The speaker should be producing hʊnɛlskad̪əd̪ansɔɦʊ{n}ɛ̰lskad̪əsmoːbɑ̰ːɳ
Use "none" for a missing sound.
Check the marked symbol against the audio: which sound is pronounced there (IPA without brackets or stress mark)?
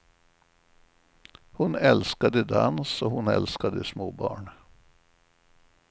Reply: n